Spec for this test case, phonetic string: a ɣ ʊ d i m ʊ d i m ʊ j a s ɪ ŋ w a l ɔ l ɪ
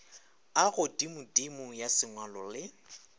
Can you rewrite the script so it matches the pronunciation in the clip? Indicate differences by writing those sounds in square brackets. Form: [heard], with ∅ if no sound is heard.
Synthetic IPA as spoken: a ɣ ʊ d i m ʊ d i m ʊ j a s ɪ ŋ w a l ɔ l ɪ